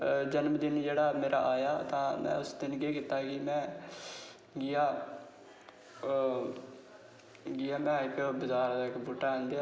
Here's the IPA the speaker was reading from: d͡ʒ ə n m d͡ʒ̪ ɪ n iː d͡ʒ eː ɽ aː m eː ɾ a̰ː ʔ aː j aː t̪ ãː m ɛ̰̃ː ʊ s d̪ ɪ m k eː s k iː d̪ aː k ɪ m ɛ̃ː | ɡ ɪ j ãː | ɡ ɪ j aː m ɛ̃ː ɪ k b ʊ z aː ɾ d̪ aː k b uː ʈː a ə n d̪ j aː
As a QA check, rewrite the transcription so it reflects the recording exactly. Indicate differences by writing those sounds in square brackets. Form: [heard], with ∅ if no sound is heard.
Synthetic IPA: d͡ʒ ə n m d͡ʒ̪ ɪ n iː d͡ʒ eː ɽ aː m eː ɾ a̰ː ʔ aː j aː t̪ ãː m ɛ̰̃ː ʊ s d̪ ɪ [n] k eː [∅] k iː [t̪] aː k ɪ m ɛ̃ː | ɡ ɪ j [aː] | ɡ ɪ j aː m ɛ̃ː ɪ k b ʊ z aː ɾ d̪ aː k b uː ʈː a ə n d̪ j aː